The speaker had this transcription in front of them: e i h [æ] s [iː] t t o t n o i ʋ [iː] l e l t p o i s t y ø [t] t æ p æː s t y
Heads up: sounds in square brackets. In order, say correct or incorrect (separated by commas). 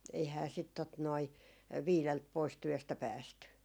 incorrect, incorrect, correct, incorrect